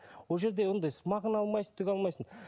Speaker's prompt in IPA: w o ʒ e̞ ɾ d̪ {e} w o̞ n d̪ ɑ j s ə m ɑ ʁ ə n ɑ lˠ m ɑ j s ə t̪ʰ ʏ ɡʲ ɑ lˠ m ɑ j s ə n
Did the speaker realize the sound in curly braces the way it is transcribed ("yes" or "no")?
yes